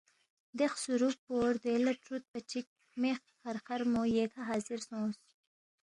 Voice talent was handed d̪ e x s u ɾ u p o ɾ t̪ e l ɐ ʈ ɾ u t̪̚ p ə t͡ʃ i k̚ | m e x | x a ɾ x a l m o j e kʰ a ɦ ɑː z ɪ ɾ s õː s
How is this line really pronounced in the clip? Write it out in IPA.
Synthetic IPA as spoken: d̪ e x s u ɾ u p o ɾ d̪ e l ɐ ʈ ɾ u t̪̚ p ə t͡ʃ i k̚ | m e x | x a ɾ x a ɾ m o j e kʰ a ɦ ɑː z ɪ ɾ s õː s